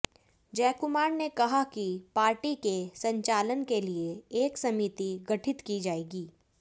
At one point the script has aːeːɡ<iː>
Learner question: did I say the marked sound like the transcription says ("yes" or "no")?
yes